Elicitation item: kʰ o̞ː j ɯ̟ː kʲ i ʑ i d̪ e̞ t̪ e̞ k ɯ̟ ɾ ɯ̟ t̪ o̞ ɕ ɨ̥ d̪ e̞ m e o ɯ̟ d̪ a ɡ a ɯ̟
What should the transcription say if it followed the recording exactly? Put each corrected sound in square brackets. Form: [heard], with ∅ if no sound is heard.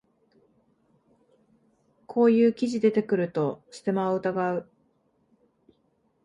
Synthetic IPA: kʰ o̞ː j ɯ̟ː kʲ i ʑ i d̪ e̞ t̪ e̞ k ɯ̟ ɾ ɯ̟ t̪ o̞ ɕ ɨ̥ [t̪] e̞ m [a] o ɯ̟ [t̪] a ɡ a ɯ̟